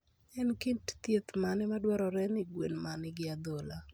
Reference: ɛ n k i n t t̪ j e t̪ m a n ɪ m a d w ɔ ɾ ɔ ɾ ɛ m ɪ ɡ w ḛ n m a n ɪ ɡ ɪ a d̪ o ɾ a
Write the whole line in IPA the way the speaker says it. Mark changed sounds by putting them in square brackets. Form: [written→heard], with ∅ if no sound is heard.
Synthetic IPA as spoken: ɛ n k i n t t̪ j e t̪ m a n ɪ m a d w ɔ ɾ ɔ ɾ ɛ [m→n] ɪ ɡ w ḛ n m a n ɪ ɡ ɪ a d̪ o [ɾ→l] a